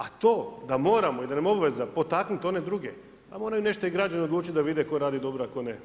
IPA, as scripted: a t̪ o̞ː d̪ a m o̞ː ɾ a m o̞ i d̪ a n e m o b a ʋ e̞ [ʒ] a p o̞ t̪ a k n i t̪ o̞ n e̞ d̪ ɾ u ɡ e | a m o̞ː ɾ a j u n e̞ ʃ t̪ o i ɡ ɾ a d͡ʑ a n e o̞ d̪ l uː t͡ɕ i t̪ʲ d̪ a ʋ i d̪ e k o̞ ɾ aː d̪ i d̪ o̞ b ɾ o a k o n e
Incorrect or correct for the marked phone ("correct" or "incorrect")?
incorrect